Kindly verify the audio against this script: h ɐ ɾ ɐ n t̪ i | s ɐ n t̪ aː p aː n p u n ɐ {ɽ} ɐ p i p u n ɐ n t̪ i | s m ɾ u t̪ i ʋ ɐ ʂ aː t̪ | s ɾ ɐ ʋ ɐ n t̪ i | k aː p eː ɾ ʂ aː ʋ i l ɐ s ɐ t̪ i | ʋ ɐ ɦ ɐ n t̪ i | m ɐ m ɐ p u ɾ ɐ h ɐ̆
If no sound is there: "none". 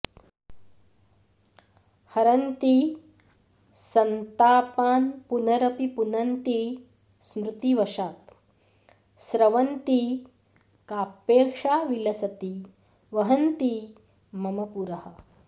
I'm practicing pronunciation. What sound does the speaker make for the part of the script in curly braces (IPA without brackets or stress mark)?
ɾ